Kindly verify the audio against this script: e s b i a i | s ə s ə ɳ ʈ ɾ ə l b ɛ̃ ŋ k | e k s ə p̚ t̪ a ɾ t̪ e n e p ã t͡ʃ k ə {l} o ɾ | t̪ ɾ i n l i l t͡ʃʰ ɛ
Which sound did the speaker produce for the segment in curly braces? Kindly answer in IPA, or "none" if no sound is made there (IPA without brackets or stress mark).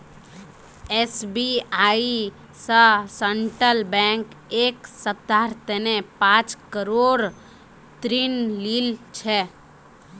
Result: ɾ